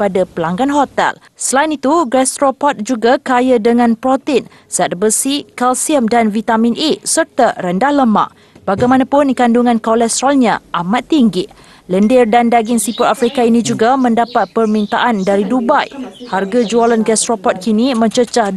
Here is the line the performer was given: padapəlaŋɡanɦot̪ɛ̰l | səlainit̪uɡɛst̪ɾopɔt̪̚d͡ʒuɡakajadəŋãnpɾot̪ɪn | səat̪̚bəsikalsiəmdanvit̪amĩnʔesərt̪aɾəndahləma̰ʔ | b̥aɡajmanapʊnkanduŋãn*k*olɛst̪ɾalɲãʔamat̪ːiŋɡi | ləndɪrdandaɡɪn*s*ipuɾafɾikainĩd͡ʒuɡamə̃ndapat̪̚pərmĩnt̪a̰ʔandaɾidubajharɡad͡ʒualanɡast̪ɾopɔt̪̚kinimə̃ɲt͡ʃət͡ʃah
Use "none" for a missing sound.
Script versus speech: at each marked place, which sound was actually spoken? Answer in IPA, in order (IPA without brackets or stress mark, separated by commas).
k, s